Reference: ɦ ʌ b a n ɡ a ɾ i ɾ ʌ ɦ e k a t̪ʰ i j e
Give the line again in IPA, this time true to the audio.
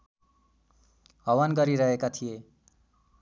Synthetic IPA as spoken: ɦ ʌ w a n ɡ ʌ ɾ i ɾ ʌ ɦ e k a t̪ʰ i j e